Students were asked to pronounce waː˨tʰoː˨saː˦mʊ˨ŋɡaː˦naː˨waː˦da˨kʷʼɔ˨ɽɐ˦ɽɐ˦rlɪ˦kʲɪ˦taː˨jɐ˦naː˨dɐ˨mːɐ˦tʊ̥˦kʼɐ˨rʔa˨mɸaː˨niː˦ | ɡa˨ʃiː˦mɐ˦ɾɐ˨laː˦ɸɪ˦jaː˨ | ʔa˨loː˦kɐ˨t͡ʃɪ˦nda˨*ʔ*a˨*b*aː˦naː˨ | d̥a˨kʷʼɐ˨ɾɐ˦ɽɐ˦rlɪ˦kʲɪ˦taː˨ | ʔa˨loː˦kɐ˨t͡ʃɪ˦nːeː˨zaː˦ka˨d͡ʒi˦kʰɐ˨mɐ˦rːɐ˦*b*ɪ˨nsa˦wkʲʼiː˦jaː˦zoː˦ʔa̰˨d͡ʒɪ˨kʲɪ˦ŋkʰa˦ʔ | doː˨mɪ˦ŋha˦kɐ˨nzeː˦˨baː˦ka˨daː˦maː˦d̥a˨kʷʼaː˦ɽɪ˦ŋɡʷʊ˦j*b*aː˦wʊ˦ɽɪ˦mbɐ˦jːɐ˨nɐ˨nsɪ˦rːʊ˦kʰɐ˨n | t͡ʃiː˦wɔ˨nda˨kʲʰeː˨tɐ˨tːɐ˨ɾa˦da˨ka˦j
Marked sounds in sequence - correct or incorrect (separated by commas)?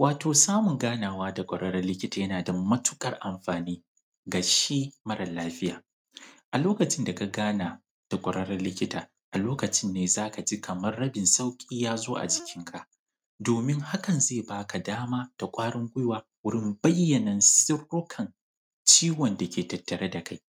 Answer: incorrect, incorrect, correct, incorrect